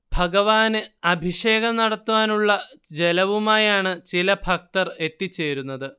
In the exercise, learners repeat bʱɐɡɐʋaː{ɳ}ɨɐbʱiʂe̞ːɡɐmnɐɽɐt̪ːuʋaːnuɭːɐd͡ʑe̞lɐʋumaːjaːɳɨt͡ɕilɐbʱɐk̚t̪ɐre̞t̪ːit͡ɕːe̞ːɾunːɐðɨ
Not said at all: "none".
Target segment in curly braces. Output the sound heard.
n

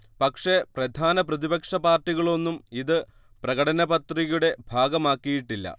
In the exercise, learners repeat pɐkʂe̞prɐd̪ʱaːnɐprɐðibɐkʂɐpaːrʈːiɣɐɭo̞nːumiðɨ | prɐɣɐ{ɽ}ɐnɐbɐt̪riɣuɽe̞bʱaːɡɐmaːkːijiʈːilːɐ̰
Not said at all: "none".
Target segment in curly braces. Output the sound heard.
ɽ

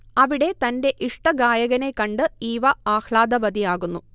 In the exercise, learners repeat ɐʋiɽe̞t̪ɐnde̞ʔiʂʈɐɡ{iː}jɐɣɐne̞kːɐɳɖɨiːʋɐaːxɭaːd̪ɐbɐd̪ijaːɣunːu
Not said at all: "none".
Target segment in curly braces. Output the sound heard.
aː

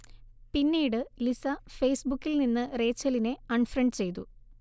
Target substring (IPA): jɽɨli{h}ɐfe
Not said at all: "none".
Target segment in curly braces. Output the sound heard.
s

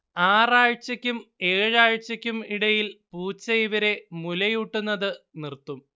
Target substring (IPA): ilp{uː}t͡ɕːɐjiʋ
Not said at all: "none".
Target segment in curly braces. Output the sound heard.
uː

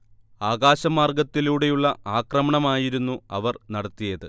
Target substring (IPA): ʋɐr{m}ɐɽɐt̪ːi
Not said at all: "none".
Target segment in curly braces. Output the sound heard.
n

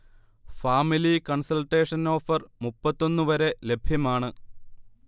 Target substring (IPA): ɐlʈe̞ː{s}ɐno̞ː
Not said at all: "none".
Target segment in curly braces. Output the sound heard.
ʂ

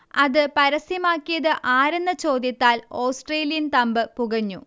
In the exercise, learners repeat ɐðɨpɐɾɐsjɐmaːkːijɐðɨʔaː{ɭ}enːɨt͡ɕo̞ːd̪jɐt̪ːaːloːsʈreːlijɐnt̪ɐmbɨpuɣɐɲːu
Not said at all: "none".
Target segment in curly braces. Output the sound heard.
ɾ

